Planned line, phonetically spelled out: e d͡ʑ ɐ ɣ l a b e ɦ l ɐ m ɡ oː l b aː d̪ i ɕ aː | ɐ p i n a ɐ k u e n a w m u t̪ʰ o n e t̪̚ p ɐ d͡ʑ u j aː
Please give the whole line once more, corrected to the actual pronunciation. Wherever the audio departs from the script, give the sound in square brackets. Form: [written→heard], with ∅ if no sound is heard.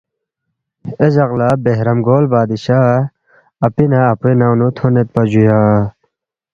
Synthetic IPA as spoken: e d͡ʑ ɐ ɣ l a b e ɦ [l→ɾ] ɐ m ɡ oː l b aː d̪ i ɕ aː | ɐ p i n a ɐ [k→p] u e n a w [m→n] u t̪ʰ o n e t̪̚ p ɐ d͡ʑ u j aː